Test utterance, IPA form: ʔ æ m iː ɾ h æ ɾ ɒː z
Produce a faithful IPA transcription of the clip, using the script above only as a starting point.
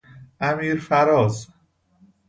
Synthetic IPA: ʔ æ m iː ɾ f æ ɾ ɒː z

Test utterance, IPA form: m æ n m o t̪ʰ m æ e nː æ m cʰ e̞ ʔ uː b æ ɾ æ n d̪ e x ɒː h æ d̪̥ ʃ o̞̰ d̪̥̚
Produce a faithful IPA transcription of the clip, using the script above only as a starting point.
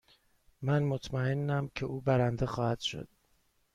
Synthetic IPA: m æ n m o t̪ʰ m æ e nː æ m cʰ e̞ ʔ uː b æ ɾ æ n d̪ e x ɒː h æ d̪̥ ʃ o̞̰ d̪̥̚

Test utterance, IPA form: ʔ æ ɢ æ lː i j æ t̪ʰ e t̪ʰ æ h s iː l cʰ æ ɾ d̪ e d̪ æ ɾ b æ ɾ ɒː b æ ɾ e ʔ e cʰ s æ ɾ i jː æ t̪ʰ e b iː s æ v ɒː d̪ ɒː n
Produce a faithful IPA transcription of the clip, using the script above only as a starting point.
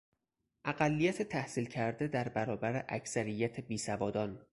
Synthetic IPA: ʔ æ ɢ æ lː i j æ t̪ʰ e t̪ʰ æ h s iː l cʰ æ ɾ d̪ e d̪ æ ɾ b æ ɾ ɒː b æ ɾ e ʔ æ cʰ s æ ɾ i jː æ t̪ʰ e b iː s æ v ɒː d̪ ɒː n

